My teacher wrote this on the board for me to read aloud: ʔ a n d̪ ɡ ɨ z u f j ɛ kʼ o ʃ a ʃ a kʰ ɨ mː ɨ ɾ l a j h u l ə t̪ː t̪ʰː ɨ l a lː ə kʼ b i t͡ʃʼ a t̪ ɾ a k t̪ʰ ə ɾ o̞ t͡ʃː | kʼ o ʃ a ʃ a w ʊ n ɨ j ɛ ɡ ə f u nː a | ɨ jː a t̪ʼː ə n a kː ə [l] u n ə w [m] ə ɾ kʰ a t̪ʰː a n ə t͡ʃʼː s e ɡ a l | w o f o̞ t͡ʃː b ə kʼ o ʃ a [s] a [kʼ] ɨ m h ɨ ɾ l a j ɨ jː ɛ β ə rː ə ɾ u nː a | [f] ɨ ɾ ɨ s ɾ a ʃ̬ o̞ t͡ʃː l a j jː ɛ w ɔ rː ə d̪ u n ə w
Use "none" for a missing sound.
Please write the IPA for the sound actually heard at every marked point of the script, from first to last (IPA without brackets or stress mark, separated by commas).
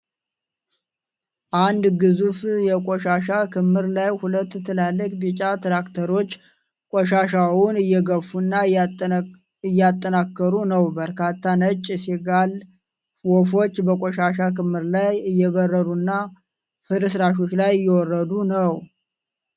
ɾ, b, ʃ, k, f